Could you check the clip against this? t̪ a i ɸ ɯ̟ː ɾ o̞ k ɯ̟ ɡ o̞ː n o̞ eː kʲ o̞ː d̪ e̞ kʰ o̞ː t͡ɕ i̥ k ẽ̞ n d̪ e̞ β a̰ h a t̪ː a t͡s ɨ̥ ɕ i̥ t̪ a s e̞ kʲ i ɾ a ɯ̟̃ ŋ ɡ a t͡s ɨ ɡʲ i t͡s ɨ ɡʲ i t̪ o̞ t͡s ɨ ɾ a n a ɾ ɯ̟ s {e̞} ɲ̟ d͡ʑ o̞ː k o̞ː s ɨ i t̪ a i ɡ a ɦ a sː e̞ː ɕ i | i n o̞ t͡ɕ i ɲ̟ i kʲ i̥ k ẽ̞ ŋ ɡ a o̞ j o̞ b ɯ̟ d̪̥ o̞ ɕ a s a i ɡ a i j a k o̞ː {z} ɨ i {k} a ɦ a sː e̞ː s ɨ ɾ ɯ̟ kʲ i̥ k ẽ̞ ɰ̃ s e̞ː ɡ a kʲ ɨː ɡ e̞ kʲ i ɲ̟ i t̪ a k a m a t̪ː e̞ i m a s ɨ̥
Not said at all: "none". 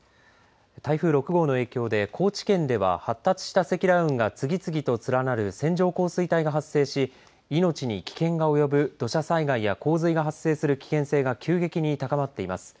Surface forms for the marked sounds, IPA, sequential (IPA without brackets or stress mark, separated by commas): ẽ̞, z, ɡ